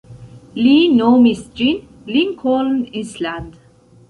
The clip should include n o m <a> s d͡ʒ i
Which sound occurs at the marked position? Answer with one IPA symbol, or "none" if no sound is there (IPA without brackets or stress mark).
i